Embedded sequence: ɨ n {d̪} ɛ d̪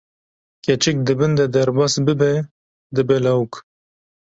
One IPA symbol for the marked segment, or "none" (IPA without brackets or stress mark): d̪